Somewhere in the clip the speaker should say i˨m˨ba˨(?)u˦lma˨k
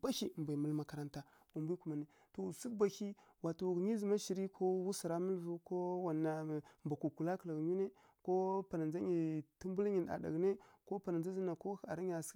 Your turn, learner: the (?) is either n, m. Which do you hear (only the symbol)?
m